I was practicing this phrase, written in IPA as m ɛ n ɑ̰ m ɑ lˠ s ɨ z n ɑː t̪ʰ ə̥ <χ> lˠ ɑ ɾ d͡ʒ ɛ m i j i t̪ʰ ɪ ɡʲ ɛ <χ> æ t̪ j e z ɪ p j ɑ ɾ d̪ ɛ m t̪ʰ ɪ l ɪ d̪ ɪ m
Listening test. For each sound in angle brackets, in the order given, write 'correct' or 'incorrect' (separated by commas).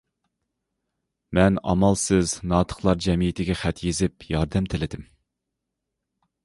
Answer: correct, correct